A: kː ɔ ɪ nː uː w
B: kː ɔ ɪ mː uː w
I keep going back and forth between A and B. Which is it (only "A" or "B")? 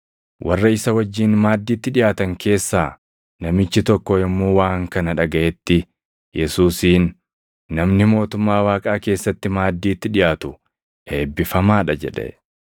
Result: B